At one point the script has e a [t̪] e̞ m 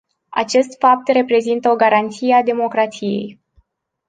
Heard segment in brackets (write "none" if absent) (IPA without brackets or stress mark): d̪